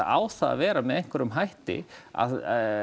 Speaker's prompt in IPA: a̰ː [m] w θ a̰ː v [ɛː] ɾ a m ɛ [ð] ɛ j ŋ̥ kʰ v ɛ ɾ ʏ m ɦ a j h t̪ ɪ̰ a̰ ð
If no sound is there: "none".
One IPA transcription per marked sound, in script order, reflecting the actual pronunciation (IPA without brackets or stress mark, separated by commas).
none, ɛː, ð